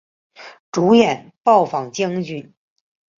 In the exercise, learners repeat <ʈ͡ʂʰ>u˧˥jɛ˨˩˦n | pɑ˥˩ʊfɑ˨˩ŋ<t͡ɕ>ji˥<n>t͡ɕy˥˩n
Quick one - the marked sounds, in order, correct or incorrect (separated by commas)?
incorrect, correct, incorrect